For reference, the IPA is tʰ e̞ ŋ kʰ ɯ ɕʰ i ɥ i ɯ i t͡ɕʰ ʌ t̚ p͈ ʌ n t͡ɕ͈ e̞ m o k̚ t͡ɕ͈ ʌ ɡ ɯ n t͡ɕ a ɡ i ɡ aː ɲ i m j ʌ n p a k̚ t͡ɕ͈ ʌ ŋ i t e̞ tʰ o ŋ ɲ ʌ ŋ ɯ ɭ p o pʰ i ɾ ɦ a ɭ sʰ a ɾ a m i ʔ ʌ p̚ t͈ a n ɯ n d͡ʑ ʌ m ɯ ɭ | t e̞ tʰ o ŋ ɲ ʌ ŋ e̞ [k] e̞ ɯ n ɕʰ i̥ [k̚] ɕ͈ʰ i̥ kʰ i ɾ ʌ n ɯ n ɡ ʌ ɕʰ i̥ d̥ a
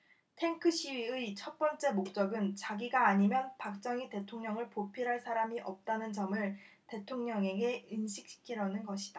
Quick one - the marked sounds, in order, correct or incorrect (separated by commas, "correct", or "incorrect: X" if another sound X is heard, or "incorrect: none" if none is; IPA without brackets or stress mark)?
incorrect: ɡ, correct